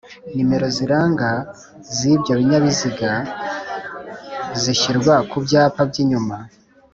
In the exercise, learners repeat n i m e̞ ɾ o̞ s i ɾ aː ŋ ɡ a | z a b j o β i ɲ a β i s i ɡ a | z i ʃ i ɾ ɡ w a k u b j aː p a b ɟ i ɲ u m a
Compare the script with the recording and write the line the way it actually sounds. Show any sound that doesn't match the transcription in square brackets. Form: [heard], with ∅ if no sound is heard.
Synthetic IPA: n i m e̞ ɾ o̞ [z] i ɾ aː ŋ ɡ a | z [i] b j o β i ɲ a β i [z] i ɡ a | z i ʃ i ɾ ɡ w a k u b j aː p a b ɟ i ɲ u m a